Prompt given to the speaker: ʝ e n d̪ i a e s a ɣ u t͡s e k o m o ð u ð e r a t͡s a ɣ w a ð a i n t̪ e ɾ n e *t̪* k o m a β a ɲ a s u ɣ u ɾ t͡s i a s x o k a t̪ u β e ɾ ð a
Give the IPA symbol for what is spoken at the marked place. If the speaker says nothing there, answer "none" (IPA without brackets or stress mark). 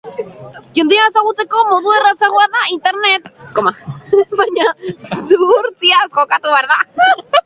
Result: t̪